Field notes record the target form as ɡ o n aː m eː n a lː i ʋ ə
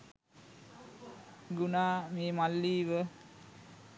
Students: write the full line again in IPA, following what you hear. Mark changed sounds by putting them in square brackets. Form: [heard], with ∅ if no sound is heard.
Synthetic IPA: ɡ [u] n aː m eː [m] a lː [iː] ʋ ə